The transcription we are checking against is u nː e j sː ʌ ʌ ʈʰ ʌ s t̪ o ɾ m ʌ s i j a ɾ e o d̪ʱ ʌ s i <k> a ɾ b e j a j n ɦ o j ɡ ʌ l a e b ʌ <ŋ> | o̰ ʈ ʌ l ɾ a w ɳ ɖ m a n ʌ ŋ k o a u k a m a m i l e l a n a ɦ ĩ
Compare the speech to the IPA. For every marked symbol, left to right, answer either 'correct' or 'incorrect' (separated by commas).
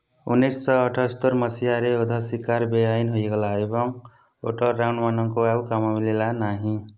correct, correct